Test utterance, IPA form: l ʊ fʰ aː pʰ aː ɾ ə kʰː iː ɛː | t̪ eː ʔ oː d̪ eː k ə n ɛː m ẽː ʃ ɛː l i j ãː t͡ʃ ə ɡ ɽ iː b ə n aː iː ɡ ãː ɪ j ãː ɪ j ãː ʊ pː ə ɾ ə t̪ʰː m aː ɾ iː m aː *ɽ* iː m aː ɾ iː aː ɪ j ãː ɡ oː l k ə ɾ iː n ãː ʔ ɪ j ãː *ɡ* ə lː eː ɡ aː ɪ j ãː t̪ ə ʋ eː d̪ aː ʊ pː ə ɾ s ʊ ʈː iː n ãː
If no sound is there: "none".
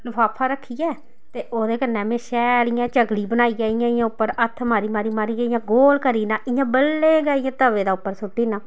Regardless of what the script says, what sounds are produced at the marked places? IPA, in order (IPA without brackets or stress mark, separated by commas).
ɾ, b